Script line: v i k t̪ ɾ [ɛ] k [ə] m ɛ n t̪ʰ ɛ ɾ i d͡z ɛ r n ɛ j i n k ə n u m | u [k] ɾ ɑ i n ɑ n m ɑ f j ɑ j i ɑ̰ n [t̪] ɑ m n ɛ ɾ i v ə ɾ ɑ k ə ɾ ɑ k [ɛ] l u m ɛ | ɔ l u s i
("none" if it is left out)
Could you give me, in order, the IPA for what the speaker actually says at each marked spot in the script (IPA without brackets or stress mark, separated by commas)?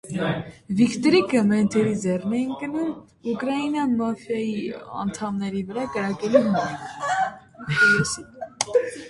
i, ə, k, t̪ʰ, ɛ